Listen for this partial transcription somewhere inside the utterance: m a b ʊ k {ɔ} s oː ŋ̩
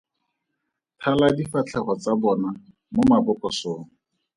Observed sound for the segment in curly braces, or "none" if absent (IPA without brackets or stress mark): ɔ